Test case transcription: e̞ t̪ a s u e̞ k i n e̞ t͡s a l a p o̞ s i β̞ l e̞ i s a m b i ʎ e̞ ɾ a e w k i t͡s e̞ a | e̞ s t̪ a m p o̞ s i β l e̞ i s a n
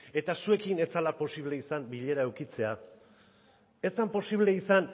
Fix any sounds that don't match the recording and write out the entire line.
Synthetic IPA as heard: e̞ t̪ a s u e̞ k i n e̞ t͡s a l a p o̞ s i β̞ l e̞ i s a m b i ʎ e̞ ɾ a e w k i t͡s e̞ a | e̞ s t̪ a m p o̞ s i β l e̞ i s a n